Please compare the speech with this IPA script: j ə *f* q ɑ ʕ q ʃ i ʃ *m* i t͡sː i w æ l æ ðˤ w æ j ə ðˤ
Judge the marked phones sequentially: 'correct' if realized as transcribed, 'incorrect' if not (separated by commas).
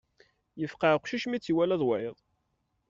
correct, correct